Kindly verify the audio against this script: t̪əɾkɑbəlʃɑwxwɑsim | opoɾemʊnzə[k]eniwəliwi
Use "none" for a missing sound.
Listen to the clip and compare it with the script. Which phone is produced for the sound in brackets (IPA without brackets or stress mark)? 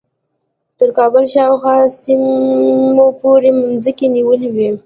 k